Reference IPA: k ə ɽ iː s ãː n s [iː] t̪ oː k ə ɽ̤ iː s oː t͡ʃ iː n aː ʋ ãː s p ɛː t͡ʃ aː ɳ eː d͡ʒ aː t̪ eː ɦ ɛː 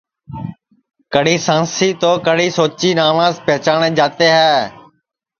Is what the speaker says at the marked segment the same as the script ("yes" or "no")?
yes